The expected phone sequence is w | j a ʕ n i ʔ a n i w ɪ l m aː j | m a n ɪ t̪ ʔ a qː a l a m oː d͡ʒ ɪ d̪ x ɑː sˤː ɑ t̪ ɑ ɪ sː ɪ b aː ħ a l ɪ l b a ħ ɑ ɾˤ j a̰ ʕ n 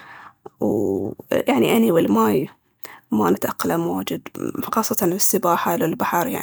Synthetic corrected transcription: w | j a ʕ n i ʔ a n i w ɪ l m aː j | m a n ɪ t̪ ʔ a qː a l a m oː d͡ʒ ɪ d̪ x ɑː sˤː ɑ t̪ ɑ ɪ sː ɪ b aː ħ a l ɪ l b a ħ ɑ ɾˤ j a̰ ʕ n

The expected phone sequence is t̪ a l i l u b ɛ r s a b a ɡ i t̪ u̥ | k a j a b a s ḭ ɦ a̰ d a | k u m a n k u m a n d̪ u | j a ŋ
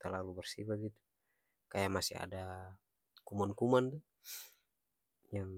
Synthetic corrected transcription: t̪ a l a l u b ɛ r s i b a ɡ i t̪ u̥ | k a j a m a s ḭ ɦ a̰ d a | k u m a n k u m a n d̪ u | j a ŋ

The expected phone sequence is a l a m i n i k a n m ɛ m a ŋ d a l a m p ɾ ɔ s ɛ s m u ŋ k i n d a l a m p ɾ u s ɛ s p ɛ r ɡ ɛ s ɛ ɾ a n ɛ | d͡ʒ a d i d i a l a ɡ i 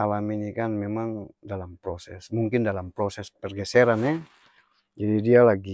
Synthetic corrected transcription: a l a m i n i k a n m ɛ m a ŋ d a l a m p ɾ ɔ s ɛ s m u ŋ k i n d a l a m p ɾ ɔ s ɛ s p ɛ r ɡ ɛ s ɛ ɾ a n ɛ | d͡ʒ a d i d i a l a ɡ i

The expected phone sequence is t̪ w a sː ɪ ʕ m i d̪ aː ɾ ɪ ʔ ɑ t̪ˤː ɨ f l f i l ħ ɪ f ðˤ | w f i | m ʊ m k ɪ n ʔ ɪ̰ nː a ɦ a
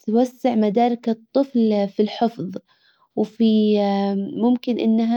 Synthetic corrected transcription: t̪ w a sː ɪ ʕ m a d̪ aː ɾ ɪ k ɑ t̪ˤː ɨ f l f i l ħ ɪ f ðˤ | w f i | m ʊ m k ɪ n ʔ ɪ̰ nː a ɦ a

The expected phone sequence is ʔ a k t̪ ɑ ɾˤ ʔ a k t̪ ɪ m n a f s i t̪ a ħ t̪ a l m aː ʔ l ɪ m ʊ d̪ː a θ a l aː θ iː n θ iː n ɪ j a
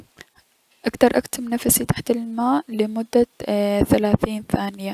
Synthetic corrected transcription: ʔ a k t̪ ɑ ɾˤ ʔ a k t̪ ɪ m n a f s i t̪ a ħ t̪ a l m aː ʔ l ɪ m ʊ d̪ː a θ a l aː θ iː n θ aː n ɪ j a

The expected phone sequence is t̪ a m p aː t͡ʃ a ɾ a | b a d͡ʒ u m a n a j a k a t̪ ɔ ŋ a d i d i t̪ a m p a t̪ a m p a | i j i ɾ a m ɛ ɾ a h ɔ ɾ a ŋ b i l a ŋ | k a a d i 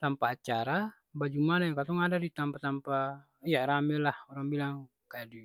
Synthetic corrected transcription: t̪ a m p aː t͡ʃ a ɾ a | b a d͡ʒ u m a n a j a k a t̪ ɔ ŋ a d a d i t̪ a m p a t̪ a m p a | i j a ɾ a m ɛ l a h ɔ ɾ a ŋ b i l a ŋ | k a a d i

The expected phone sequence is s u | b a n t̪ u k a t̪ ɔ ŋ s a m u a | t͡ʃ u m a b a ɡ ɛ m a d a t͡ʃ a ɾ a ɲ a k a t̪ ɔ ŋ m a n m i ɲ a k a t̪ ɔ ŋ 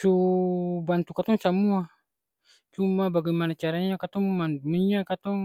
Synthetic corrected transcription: s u | b a n t̪ u k a t̪ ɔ ŋ s a m u a | t͡ʃ u m a b a ɡ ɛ m a n a t͡ʃ a ɾ a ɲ a k a t̪ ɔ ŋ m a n m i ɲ a k a t̪ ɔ ŋ

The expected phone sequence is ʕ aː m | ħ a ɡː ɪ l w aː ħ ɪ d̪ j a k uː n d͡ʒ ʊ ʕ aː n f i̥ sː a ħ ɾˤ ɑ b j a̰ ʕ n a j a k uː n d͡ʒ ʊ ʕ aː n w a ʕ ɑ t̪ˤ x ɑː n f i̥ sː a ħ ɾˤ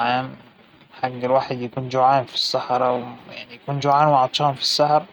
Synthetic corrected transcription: ʕ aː m | ħ a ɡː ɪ l w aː ħ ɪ d̪ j a k uː n d͡ʒ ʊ ʕ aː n f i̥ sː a ħ ɾˤ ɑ w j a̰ ʕ n i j a k uː n d͡ʒ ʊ ʕ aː n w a ʕ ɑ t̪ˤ ʃ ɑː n f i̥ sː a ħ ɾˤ

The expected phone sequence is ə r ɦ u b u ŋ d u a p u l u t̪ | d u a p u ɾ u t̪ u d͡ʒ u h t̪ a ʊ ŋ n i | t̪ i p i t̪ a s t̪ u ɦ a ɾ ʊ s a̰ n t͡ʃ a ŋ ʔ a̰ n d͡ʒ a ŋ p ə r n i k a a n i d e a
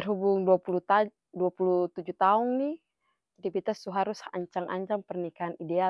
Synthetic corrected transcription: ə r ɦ u b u ŋ d u a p u l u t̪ | d u a p u l u t̪ u d͡ʒ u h t̪ a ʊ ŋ n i | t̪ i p i t̪ a s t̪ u ɦ a ɾ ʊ s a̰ ɲ t͡ʃ a ŋ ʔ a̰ ɲ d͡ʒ a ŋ p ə r n i k a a n i d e a

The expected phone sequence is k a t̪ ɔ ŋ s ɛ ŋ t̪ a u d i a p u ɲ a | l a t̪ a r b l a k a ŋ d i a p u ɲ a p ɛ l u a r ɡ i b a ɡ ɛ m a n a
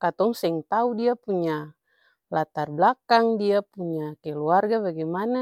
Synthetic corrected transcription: k a t̪ ɔ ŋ s ɛ ŋ t̪ a u d i a p u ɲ a | l a t̪ a r b l a k a ŋ d i a p u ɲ a k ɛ l u a r ɡ a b a ɡ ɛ m a n a

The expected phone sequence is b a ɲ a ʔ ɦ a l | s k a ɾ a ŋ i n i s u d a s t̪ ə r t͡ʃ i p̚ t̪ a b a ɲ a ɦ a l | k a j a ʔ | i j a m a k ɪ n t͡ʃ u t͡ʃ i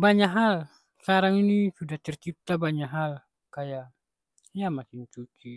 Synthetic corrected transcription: b a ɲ a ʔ ɦ a l | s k a ɾ a ŋ i n i s u d a h t̪ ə r t͡ʃ i p̚ t̪ a b a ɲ a ɦ a l | k a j a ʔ | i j a m a k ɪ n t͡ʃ u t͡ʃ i

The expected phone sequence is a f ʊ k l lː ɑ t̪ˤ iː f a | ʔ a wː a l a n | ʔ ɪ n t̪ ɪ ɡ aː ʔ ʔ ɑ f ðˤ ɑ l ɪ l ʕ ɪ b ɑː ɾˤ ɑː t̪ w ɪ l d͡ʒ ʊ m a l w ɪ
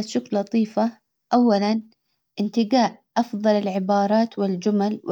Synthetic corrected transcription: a ʃ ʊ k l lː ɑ t̪ˤ iː f a | ʔ a wː a l a n | ʔ ɪ n t̪ ɪ ɡ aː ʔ ʔ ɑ f ðˤ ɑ l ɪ l ʕ ɪ b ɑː ɾˤ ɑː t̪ w ɪ l d͡ʒ ʊ m a l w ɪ

